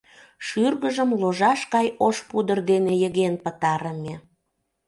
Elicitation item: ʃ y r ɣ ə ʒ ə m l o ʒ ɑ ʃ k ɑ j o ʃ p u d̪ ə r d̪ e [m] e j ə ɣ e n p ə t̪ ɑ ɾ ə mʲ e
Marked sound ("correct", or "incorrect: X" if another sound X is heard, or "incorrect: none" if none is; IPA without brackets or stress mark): incorrect: n